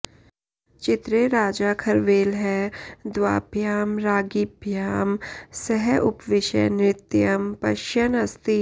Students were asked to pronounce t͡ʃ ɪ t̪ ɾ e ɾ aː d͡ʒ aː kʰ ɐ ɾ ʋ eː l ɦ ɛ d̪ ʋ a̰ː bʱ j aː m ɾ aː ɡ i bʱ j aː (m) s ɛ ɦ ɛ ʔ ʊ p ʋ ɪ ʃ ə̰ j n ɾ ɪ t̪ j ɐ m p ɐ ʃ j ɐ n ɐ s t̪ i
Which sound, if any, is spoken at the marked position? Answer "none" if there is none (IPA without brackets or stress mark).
m